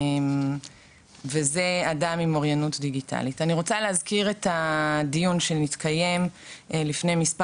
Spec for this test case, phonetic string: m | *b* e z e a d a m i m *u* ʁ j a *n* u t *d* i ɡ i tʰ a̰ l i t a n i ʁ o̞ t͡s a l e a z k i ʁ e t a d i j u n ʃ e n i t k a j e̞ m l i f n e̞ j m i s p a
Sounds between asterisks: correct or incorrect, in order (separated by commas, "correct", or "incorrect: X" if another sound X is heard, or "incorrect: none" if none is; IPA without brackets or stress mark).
incorrect: v, incorrect: o, correct, correct